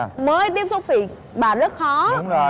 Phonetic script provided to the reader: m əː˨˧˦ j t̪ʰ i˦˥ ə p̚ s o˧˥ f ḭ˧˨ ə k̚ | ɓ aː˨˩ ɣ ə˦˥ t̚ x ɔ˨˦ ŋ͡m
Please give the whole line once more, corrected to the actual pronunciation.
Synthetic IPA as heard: m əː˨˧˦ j t̪ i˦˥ ə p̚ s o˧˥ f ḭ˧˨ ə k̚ | ɓ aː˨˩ z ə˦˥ t̚ x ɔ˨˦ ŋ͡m

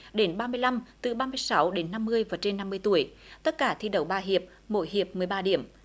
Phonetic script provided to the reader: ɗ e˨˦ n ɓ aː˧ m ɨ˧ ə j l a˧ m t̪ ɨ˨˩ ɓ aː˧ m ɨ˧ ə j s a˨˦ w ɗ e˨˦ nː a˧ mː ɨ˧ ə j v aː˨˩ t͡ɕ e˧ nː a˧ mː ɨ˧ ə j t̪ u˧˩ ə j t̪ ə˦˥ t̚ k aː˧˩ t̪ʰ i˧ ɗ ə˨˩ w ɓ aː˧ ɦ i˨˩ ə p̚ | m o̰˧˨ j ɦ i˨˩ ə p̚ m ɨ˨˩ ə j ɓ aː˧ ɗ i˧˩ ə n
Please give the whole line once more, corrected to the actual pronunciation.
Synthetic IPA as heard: ɗ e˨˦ n ɓ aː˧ m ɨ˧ ə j l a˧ m t̪ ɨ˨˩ ɓ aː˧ m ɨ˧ ə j s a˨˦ w ɗ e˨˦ nː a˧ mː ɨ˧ ə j v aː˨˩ t͡ɕ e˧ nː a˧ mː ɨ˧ ə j t̪ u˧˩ ə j t̪ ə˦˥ t̚ k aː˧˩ t̪ʰ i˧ ɗ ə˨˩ w ɓ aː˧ ɦ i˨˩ ə p̚ | m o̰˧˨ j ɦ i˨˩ ə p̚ m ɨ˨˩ ə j ɓ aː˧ ɗ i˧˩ ə m

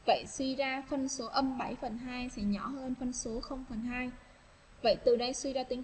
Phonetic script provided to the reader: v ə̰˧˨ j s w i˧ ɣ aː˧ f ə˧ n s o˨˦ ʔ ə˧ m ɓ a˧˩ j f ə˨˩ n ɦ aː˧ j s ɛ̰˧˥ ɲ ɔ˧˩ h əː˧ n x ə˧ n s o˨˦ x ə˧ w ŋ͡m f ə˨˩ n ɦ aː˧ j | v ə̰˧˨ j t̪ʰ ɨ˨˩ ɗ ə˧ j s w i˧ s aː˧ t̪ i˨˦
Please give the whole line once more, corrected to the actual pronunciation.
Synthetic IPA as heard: v ə̰˧˨ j s w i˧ z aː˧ f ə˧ n s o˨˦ ʔ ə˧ m ɓ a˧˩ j f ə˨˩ n ɦ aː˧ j s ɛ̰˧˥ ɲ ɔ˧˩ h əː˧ n f ə˧ n s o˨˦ x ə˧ w ŋ͡m f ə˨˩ n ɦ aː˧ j | v ə̰˧˨ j t̪ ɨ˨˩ ɗ ə˧ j s w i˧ z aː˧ t̪ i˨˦

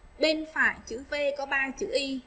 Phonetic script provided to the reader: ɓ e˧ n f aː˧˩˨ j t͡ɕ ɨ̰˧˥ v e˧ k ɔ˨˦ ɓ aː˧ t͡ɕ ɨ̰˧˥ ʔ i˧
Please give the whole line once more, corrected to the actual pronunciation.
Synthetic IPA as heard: ɓ e˧ n f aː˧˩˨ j t͡ɕ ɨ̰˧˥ v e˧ k ɔ˨˦ ɓ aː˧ t͡ɕ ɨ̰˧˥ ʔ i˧

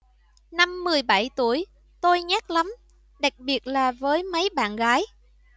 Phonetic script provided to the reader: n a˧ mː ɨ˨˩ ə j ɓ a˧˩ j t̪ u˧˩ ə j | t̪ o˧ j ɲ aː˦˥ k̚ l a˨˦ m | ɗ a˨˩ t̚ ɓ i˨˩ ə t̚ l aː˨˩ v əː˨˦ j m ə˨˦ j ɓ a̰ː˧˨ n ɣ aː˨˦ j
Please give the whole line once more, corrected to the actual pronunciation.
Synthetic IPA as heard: n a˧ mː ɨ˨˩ ə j ɓ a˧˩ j t̪ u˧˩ ə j | t̪ o˧ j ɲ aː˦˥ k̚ l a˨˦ m | ɗ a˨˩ k̚ ɓ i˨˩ ə t̚ l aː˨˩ v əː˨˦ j m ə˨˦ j ɓ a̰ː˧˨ n ɣ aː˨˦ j

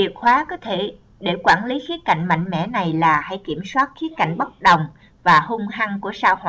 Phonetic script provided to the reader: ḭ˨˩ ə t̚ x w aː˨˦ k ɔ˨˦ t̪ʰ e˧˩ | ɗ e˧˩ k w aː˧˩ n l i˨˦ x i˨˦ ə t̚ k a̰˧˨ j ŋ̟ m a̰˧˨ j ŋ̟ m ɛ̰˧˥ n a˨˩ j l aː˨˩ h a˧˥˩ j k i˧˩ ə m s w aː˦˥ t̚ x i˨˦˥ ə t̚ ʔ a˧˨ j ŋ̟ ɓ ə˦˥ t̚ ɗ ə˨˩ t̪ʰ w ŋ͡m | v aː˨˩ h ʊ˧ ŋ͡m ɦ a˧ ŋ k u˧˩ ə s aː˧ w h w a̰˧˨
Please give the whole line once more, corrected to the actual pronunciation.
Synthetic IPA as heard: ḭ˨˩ ə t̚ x w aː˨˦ k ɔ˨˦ t̪ʰ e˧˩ | ɗ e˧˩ k w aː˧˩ n l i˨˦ x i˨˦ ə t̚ k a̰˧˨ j ŋ̟ m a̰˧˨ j ŋ̟ m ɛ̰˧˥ n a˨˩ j l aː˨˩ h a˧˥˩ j k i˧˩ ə m s w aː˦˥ t̚ x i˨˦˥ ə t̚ k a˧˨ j ŋ̟ ɓ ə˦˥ t̚ ɗ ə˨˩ w ŋ͡m | v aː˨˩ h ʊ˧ ŋ͡m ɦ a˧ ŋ k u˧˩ ə s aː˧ w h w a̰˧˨

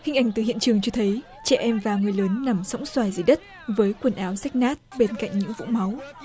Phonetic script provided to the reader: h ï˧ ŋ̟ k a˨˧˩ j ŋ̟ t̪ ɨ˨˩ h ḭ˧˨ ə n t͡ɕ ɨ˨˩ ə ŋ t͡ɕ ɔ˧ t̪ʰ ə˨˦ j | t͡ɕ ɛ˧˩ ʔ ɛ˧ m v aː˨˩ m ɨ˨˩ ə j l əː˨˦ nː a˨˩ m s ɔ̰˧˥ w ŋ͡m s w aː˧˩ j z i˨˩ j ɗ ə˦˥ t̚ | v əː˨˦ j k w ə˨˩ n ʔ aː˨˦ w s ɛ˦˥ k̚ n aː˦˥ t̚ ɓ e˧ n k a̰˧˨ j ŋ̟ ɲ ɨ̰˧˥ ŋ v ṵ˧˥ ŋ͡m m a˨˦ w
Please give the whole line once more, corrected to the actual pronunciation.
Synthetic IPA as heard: h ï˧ ŋ̟ ʔ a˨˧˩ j ŋ̟ t̪ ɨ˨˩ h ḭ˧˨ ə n t͡ɕ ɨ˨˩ ə ŋ t͡ɕ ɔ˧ t̪ʰ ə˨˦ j | t͡ɕ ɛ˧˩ ʔ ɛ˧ m v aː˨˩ ŋ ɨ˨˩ ə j l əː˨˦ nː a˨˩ m s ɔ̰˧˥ w ŋ͡m s w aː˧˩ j z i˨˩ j ɗ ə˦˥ t̚ | v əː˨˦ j k w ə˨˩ n ʔ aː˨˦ w s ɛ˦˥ k̚ n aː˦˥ t̚ ɓ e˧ n k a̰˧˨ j ŋ̟ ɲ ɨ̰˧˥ ŋ v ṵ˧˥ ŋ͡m m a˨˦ w

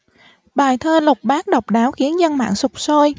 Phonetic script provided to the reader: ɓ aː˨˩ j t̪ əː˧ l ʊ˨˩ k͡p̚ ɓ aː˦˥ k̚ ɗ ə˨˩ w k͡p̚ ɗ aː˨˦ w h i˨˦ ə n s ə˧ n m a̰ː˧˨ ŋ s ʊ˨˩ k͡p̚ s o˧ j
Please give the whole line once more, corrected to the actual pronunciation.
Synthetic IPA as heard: ɓ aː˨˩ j t̪ʰ əː˧ l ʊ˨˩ k͡p̚ ɓ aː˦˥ k̚ ɗ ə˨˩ w k͡p̚ ɗ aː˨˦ w x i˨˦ ə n z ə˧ n m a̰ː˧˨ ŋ s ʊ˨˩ k͡p̚ s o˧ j

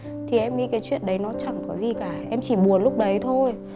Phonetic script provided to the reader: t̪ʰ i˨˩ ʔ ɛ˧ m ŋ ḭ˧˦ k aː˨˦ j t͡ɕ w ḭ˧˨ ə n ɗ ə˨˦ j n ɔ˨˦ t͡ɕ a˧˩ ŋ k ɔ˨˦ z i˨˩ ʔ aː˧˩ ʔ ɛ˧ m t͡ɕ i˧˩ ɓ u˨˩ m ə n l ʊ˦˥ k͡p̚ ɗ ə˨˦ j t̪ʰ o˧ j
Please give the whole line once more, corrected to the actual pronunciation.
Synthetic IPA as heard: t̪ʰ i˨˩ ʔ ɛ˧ m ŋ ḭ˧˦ k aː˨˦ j t͡ɕ w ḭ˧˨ ə n ɗ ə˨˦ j n ɔ˨˦ t͡ɕ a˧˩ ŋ k ɔ˨˦ z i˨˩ k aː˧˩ ʔ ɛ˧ m t͡ɕ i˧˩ ɓ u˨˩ ə n l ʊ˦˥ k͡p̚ ɗ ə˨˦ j t̪ʰ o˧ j

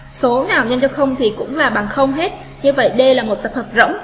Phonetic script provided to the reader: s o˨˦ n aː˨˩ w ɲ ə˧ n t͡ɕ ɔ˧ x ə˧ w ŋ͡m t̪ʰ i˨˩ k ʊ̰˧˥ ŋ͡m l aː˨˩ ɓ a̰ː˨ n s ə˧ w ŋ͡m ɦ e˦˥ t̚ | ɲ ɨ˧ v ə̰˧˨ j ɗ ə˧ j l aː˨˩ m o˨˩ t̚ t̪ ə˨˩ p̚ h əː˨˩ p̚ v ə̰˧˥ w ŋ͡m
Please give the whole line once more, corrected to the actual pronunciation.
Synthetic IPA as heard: s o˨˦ n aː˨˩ w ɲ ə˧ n t͡ɕ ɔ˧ x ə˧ w ŋ͡m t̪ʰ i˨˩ k ʊ̰˧˥ ŋ͡m l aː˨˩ ɓ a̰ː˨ n x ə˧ w ŋ͡m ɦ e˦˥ t̚ | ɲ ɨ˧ v ə̰˧˨ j ɗ ə˧ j l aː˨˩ m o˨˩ t̚ t̪ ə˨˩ p̚ h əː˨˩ p̚ z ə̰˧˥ w ŋ͡m

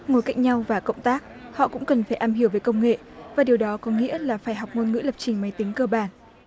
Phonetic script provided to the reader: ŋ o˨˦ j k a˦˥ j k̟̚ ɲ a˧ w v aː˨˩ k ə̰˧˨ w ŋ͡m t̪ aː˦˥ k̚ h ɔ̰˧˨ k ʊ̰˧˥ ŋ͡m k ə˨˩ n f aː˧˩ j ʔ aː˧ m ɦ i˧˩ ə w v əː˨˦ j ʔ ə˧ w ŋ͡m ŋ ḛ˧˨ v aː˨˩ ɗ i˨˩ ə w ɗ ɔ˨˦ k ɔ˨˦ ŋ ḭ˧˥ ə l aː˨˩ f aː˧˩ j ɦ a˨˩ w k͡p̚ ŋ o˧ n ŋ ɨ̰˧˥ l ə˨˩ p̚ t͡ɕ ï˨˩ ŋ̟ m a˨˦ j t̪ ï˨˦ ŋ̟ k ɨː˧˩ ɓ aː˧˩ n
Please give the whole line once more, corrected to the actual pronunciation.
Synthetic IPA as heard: ŋ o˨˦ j k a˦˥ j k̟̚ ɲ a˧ w v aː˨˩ k ə̰˧˨ w ŋ͡m t̪ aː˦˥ k̚ h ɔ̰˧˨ k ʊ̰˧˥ ŋ͡m k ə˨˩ n f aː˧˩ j ʔ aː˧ m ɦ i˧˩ ə w v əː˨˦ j k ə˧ w ŋ͡m ŋ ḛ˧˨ v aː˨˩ ɗ i˨˩ ə w ɗ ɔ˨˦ k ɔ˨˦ ŋ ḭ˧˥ ə l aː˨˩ f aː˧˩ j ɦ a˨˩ w k͡p̚ ŋ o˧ n ŋ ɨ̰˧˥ l ə˨˩ p̚ t͡ɕ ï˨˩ ŋ̟ m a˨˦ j t̪ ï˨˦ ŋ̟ k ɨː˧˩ ɓ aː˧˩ n

